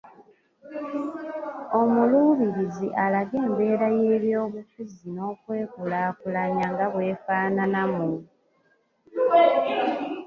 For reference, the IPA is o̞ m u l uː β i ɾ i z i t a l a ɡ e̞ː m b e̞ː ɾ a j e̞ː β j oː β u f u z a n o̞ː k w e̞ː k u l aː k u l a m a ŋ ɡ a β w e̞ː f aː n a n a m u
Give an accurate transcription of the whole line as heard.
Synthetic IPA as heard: o̞ m u l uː β i ɾ i z i ʔ a l a ɡ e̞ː m b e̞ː ɾ a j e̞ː β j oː β u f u z i n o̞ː k w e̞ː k u l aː k u l a ɲ a ŋ ɡ a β w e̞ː f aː n a n a m u